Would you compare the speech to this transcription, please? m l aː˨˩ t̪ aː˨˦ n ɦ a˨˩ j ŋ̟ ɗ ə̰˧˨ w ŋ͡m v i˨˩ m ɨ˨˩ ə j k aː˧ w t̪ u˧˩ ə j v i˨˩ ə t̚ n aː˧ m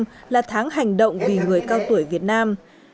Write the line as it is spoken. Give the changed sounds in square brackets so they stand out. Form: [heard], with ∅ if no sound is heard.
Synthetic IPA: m l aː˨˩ [t̪ʰ] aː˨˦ [ŋ] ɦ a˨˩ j ŋ̟ ɗ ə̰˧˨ w ŋ͡m v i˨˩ [ŋ] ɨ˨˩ ə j k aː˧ w t̪ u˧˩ ə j v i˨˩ ə t̚ n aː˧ m